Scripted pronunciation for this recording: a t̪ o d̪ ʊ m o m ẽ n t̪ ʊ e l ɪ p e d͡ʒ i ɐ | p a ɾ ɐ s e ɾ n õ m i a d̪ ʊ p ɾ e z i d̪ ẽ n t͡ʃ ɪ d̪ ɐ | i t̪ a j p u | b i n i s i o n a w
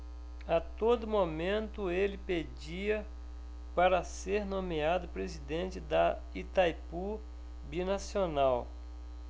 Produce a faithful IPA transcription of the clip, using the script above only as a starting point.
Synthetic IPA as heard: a t̪ o d̪ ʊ m o m ẽ n t̪ ʊ e l ɪ p e d͡ʒ i ɐ | p a ɾ ɐ s e ɾ n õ m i a d̪ ʊ p ɾ e z i d̪ ẽ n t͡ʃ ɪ d̪ ɐ | i t̪ a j p u | b i n a s i o n a w

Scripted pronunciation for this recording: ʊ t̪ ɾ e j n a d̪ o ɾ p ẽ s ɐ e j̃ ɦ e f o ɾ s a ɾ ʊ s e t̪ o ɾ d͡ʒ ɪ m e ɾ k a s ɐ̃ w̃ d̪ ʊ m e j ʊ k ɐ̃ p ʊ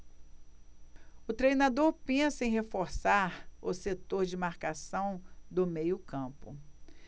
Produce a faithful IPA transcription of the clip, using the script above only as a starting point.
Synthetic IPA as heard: ʊ t̪ ɾ e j n a d̪ o ɾ p ẽ s ɐ ẽ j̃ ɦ e f o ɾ s a ɾ ʊ s e t̪ o ɾ d͡ʒ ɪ m a ɾ k a s ɐ̃ w̃ d̪ ʊ m e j ʊ k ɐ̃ p ʊ

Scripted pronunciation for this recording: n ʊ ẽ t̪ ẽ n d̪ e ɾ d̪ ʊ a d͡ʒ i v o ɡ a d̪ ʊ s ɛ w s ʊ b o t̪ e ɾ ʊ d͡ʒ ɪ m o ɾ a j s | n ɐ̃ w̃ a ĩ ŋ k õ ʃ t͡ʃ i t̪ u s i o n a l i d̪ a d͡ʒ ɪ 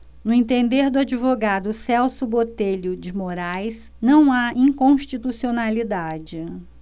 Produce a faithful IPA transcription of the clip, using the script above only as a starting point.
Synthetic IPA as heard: n ʊ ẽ t̪ ẽ n d̪ e ɾ d̪ ʊ a d͡ʒ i v o ɡ a d̪ ʊ s ɛ w s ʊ b o t̪ e ʎ ʊ d͡ʒ ɪ m o ɾ a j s | n ɐ̃ w̃ a ĩ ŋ k õ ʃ t͡ʃ i t̪ u s i o n a l i d̪ a d͡ʒ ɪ

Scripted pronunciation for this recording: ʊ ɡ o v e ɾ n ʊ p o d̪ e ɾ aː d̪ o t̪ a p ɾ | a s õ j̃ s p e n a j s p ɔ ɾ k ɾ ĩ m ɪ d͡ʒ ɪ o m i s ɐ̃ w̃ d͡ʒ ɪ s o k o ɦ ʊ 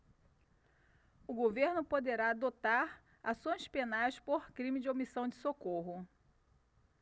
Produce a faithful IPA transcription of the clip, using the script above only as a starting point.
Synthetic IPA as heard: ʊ ɡ o v e ɾ n ʊ p o d̪ e ɾ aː d̪ o t̪ a ɾ | a s õ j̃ s p e n a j s p o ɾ k ɾ ĩ m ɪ d͡ʒ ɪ o m i s ɐ̃ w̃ d͡ʒ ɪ s o k o ɦ ʊ

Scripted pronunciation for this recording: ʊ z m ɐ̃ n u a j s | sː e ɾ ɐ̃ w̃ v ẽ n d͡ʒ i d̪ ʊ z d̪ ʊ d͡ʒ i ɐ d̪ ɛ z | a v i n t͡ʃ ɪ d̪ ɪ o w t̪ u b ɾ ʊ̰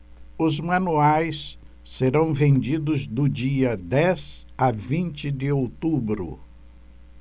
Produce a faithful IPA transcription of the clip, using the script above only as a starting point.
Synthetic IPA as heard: ʊ z m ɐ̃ n u a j s | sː e ɾ ɐ̃ w̃ v ẽ n d͡ʒ i d̪ ʊ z d̪ ʊ d͡ʒ i ɐ d̪ ɛ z | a v ĩ n t͡ʃ ɪ d̪ ɪ o w t̪ u b ɾ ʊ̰

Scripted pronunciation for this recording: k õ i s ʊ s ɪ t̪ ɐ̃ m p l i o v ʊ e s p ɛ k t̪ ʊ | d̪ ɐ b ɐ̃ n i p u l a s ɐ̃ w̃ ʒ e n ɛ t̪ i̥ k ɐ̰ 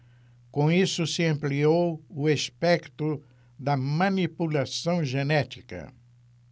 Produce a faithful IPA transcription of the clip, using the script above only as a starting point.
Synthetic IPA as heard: k õ i s ʊ s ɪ ɐ̃ m p l i o w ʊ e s p ɛ k t̪ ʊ | d̪ ɐ m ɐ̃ n i p u l a s ɐ̃ w̃ ʒ e n ɛ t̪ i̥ k ɐ̰

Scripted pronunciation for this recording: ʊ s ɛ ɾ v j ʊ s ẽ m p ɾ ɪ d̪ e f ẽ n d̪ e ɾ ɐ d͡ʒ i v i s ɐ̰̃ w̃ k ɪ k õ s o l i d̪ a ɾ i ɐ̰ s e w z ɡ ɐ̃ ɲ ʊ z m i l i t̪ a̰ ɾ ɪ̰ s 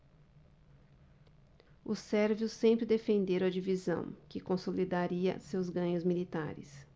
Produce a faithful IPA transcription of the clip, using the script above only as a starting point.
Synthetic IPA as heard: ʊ s ɛ ɾ v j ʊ s ẽ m p ɾ ɪ d̪ e f ẽ n d̪ e ɾ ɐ d͡ʒ i v i z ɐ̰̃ w̃ k ɪ k õ s o l i d̪ a ɾ i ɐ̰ s e w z ɡ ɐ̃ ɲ ʊ z m i l i t̪ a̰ ɾ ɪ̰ s

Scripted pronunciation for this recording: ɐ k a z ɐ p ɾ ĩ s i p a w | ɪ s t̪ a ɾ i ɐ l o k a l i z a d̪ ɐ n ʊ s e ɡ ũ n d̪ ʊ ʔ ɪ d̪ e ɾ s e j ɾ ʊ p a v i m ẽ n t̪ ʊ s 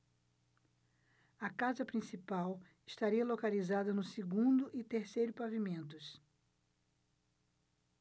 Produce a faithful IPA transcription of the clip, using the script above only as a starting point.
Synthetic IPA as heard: ɐ k a z ɐ p ɾ ĩ s i p a w | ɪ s t̪ a ɾ i ɐ l o k a l i z a d̪ ɐ n ʊ s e ɡ ũ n d̪ ʊ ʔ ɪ t̪ e ɾ s e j ɾ ʊ p a v i m ẽ n t̪ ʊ s

